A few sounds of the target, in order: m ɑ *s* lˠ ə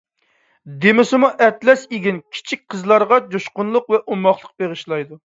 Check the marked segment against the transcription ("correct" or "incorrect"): incorrect